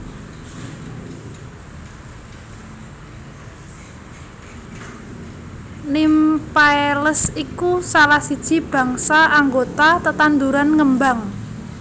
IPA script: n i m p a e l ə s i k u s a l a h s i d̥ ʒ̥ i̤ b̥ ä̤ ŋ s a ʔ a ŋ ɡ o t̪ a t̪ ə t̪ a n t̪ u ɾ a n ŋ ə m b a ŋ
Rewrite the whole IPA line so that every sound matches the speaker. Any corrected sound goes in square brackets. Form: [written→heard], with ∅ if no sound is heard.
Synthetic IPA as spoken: n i m p a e l ə s i k u s a l a h s i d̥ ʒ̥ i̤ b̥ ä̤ ŋ s a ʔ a ŋ ɡ o t̪ a t̪ ə t̪ a n [t̪→d̪] u ɾ a n ŋ ə m b a ŋ